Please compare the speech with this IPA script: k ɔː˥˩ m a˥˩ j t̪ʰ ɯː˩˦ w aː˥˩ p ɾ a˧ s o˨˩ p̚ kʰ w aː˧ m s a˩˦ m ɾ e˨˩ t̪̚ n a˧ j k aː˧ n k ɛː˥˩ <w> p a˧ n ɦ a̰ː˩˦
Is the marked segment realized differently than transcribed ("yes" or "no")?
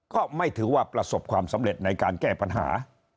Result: yes